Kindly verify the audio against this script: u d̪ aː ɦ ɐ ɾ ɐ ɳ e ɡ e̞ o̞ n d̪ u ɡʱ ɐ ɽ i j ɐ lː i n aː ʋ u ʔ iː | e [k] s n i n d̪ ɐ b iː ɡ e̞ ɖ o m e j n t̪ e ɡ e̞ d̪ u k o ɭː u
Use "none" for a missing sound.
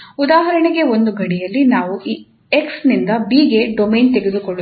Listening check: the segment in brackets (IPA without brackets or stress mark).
k